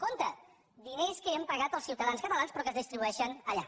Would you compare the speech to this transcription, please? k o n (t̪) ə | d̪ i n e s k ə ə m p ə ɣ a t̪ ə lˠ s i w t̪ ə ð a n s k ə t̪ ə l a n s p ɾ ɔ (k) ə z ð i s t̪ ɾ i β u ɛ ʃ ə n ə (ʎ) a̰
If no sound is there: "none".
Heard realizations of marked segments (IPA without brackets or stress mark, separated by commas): t̪, k, ʎ